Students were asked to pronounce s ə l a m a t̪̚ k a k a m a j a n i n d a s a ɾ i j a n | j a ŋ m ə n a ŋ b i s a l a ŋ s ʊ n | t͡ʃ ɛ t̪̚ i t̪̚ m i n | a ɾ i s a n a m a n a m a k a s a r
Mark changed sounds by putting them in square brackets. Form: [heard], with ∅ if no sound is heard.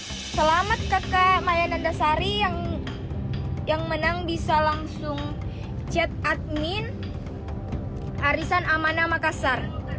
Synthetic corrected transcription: s ə l a m a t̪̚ k a k a m a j a n [a] n d a s a ɾ i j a [ŋ] | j a ŋ m ə n a ŋ b i s a l a ŋ s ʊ [ŋ] | t͡ʃ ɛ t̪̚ [a] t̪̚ m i n | a ɾ i s a n a m a n a m a k a s a r